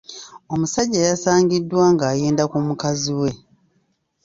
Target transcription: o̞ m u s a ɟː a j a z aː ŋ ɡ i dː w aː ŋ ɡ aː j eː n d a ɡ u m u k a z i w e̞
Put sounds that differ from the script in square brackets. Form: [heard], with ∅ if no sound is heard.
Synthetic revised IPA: o̞ m u s a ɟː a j a [s] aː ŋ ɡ i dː w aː ŋ ɡ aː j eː n d a [k] u m u k a z i w e̞